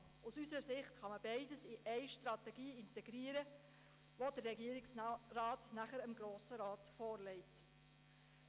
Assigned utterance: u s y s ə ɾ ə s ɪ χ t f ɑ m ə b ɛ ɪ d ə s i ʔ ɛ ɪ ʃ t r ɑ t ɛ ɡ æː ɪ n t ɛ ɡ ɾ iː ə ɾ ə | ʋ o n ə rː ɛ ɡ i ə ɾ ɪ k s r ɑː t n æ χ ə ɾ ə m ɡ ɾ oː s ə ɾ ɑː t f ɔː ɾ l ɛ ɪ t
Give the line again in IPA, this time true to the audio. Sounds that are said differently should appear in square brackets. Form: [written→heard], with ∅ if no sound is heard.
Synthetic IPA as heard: u s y s ə ɾ ə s ɪ χ t [f→χ] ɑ m ə b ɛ ɪ d ə s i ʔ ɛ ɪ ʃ t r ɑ t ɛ ɡ [æː→iː] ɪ n t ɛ ɡ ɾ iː ə ɾ ə | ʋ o [n→d] ə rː ɛ ɡ i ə ɾ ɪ k s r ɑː t n æ χ ə ɾ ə m ɡ ɾ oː s ə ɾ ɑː t f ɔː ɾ l ɛ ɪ t